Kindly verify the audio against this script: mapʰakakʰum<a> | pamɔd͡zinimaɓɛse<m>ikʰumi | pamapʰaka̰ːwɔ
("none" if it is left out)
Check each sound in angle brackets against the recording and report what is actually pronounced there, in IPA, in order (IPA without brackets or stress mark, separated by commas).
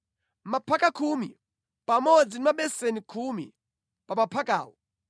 i, n